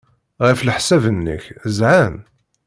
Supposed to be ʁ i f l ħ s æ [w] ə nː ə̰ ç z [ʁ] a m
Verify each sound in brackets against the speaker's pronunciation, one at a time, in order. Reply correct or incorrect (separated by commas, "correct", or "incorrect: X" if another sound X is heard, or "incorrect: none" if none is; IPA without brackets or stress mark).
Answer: incorrect: v, incorrect: ʕ